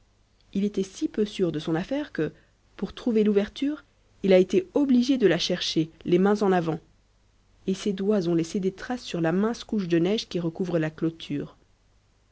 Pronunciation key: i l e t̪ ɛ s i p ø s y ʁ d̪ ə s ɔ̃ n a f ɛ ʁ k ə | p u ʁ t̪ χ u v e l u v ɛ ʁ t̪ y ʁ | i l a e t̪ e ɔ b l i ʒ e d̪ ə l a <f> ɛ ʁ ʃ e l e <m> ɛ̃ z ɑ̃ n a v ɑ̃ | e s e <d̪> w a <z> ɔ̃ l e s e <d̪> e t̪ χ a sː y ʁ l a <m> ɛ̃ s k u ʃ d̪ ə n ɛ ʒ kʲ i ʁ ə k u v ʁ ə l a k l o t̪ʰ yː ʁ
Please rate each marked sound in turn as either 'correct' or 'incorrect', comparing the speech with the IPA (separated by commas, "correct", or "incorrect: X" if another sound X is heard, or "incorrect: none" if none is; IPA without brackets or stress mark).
incorrect: ʃ, correct, correct, correct, correct, correct